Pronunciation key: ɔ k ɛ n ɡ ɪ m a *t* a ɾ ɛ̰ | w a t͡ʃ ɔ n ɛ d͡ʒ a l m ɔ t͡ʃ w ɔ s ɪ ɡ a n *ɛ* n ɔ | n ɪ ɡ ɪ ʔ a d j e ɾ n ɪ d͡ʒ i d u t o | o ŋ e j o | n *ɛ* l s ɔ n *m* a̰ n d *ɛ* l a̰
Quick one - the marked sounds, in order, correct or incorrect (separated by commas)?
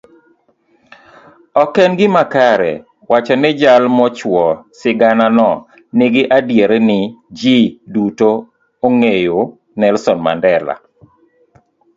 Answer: incorrect, incorrect, correct, correct, correct